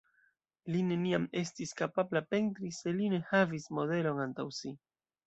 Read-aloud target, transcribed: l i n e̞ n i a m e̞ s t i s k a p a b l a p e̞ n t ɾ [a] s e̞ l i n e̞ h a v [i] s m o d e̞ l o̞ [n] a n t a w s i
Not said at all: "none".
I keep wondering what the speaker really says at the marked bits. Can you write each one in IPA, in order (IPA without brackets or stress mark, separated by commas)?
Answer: i, i, n